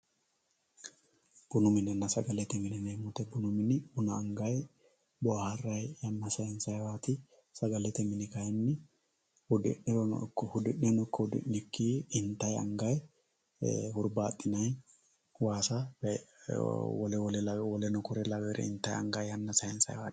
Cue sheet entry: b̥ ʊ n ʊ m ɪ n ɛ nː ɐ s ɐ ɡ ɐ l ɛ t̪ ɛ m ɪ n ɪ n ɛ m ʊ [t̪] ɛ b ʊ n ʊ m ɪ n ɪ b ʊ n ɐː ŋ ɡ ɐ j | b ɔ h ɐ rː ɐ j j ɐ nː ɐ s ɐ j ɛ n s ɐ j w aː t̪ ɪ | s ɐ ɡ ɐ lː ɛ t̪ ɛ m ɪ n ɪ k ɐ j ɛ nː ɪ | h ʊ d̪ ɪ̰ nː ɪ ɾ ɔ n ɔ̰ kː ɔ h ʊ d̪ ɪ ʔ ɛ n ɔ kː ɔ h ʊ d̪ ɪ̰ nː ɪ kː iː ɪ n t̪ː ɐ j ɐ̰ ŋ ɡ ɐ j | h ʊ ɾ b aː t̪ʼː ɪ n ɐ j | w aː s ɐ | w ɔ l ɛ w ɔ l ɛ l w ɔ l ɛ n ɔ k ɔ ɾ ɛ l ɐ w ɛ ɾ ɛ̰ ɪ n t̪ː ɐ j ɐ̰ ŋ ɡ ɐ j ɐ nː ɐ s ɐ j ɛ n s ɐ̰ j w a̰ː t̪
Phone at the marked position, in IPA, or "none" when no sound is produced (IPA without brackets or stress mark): t̪